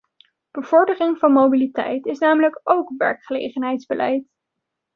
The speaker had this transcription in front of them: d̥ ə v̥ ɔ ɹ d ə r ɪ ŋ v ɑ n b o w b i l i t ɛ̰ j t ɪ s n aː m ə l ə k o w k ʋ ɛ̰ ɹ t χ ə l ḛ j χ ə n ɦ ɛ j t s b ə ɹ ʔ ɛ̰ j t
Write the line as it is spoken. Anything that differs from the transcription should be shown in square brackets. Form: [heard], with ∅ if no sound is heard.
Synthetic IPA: [b̥] ə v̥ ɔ ɹ d ə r ɪ ŋ v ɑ n [m] o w b i l i t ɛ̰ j t ɪ s n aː m ə l ə k o w k ʋ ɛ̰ ɹ [k] χ ə l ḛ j χ ə n ɦ ɛ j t [z] b ə [l] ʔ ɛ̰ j t